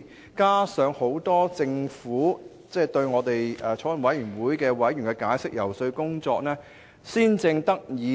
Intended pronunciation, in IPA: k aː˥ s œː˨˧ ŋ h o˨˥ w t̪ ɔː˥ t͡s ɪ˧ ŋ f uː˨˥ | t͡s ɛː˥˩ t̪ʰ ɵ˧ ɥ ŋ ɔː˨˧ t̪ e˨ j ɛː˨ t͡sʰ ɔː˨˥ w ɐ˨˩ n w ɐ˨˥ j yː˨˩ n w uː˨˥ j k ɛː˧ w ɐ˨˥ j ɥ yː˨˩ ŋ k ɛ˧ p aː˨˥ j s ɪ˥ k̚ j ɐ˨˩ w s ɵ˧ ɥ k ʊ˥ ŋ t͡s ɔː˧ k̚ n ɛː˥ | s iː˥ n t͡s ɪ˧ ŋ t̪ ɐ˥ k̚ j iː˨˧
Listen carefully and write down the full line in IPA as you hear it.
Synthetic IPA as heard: k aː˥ s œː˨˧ ŋ h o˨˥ w t̪ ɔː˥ t͡s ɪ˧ ŋ f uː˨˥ | t͡s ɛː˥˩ t̪ ɵ˧ ɥ ŋ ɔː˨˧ t̪ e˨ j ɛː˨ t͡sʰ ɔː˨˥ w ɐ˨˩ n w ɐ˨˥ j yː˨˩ n w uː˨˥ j k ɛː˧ w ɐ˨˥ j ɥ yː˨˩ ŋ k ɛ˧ k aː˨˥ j s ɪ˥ k̚ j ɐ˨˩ w s ɵ˧ ɥ k ʊ˥ ŋ t͡s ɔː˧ k̚ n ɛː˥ | s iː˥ n t͡s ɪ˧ ŋ t̪ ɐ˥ k̚ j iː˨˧